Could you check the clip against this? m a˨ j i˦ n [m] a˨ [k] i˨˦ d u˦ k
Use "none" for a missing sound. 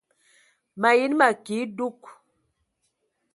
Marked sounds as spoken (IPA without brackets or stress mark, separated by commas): m, k